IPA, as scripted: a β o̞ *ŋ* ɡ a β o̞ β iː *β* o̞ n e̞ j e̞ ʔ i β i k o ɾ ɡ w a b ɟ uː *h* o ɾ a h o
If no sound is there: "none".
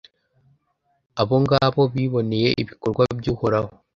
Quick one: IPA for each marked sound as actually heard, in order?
ŋ, β, h

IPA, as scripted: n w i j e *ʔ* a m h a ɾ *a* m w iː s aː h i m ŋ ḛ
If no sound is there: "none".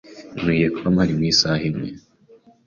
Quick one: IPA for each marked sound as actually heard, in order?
k, i

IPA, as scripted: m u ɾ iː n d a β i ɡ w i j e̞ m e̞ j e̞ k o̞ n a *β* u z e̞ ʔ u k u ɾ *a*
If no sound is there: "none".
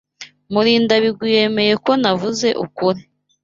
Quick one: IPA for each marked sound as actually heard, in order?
v, i

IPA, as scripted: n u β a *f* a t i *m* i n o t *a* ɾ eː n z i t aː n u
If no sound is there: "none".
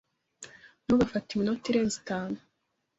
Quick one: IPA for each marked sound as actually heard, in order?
f, m, i

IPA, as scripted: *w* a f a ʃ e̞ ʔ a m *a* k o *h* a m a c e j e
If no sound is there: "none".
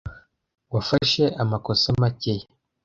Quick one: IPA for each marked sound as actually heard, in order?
w, a, s

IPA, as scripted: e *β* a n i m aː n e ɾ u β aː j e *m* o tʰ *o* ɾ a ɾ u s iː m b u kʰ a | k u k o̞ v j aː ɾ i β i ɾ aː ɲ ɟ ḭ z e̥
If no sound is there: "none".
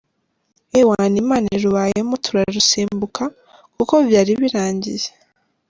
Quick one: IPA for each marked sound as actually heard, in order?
w, m, u

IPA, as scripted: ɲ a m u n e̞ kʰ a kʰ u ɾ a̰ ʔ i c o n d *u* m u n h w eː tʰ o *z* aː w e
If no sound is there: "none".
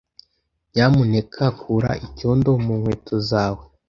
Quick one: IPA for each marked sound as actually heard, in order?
o, z

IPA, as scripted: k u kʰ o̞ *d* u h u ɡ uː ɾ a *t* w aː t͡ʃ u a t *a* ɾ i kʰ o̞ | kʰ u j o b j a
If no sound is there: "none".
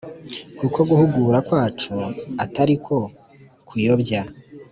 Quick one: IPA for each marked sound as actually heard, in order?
ɡ, k, a

